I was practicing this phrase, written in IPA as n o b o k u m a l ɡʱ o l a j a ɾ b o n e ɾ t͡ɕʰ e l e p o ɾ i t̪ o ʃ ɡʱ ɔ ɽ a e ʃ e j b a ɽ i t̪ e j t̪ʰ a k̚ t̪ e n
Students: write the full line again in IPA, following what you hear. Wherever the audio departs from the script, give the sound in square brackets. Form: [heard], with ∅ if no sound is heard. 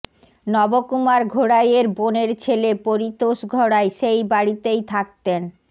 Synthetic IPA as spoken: n [ɔ] b o k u m a [ɾ] ɡʱ o [ɽ] a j [e] ɾ b o n e ɾ t͡ɕʰ e l e p o ɾ i t̪ o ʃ ɡʱ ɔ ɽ a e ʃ e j b a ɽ i t̪ e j t̪ʰ a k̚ t̪ e n